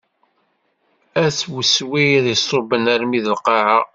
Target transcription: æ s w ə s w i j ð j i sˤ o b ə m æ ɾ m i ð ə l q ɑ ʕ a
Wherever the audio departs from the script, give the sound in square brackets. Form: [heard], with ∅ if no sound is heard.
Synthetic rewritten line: æ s w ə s w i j ð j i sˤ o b ə [n] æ ɾ m i ð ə l q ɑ ʕ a